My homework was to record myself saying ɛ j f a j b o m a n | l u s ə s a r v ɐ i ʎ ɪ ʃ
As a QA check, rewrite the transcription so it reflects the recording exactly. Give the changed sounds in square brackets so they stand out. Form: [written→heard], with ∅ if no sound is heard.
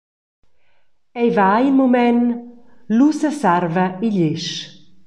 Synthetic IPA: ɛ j [f→v] a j [b→m] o m [a→ɛ] n | l u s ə s a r v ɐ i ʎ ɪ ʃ